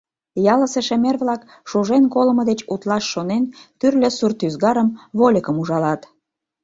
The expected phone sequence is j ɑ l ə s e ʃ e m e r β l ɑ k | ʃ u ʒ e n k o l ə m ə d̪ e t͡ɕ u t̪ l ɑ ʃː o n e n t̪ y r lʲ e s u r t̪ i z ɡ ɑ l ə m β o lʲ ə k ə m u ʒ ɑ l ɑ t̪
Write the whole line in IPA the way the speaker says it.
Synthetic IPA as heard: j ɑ l ə s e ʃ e m e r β l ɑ k | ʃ u ʒ e n k o l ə m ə d̪ e t͡ɕ u t̪ l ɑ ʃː o n e n t̪ y r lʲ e s u r t̪ y z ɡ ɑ ɾ ə m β o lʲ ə k ə m u ʒ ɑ l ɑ t̪